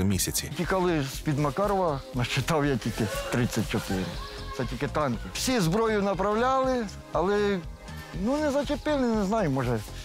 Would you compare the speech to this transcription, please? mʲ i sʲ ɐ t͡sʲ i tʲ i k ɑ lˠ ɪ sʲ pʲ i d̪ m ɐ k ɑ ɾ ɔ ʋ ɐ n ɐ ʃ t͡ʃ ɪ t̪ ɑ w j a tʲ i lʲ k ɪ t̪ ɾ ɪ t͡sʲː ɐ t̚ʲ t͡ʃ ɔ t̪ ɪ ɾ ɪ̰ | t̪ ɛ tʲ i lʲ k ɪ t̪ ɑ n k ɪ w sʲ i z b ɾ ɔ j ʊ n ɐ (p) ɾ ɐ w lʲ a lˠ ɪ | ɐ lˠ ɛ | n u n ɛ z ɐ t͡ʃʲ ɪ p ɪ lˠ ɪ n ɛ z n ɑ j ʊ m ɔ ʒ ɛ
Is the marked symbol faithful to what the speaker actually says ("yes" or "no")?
yes